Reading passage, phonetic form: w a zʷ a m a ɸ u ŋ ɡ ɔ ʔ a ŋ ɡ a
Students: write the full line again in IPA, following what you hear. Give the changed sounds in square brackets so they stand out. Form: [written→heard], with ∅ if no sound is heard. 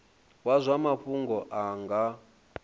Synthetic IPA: w a zʷ a m a ɸ u ŋ ɡ ɔ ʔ a ŋ ɡ a